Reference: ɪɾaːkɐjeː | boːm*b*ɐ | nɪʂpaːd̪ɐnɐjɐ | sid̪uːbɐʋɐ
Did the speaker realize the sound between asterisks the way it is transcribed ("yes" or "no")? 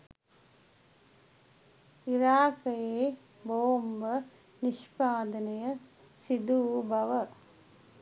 yes